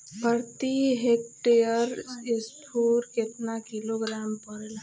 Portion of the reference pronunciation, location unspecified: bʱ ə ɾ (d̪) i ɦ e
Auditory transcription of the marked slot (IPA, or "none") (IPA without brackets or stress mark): t̪